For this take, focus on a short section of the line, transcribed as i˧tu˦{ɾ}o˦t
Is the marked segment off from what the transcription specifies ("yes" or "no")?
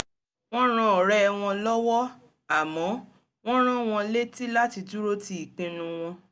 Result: no